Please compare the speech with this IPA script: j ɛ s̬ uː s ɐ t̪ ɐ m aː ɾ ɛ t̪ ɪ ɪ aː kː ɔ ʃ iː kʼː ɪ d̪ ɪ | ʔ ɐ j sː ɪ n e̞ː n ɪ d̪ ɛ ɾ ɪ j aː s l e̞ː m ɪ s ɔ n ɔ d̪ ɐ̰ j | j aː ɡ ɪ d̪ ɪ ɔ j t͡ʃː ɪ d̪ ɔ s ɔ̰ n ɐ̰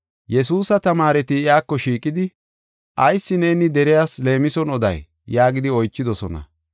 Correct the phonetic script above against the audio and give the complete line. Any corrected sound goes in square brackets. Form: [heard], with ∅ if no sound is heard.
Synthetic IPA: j ɛ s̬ uː s ɐ t̪ ɐ m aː ɾ ɛ t̪ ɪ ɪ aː kː ɔ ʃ iː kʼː ɪ d̪ ɪ | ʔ ɐ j sː ɪ n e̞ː n ɪ d̪ ɛ ɾ ɪ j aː s l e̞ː m ɪ s ɔ n ɔ d̪ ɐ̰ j | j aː ɡ ɪ d̪ ɪ ɔ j t͡ʃː ɪ d̪ ɔ s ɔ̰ n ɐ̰